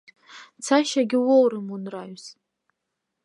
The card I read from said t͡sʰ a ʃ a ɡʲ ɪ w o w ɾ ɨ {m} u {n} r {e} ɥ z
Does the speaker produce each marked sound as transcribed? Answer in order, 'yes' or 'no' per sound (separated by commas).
yes, yes, no